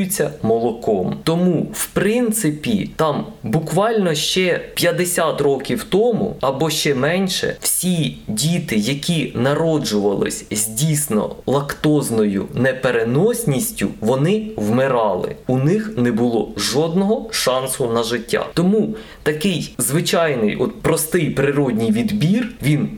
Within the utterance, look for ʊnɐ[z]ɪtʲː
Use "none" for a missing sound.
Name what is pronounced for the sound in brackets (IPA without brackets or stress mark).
ʒ